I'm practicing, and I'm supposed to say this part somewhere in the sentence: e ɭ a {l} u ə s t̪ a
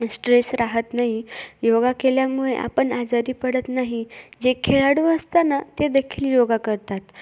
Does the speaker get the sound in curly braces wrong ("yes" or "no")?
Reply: yes